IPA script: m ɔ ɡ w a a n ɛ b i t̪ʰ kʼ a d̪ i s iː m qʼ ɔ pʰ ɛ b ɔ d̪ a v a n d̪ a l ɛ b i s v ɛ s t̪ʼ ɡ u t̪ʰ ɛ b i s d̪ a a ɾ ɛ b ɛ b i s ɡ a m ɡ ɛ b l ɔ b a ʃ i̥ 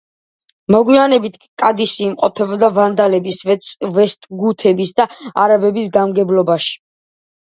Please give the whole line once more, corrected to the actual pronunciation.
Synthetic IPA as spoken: m ɔ ɡ w i a n ɛ b i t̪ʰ kʼ a d̪ i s iː m qʼ ɔ pʰ ɛ b ɔ d̪ a v a n d̪ a l ɛ b i s v ɛ s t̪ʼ ɡ u t̪ʰ ɛ b i s d̪ a a ɾ a b ɛ b i s ɡ a m ɡ ɛ b l ɔ b a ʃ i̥